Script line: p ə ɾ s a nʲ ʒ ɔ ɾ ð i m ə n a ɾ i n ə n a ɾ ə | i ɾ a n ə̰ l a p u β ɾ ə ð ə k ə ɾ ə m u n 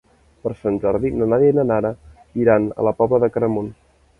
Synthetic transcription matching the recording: p ə ɾ s a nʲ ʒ ɔ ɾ ð i n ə n a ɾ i n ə n a ɾ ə | i ɾ a n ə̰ l ə p ɔ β l ə ð ə k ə ɾ ə m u n